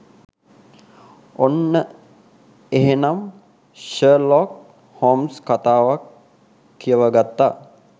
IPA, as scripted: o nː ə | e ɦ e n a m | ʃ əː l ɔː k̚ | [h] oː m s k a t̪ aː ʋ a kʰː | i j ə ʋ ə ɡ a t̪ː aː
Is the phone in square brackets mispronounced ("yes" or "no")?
no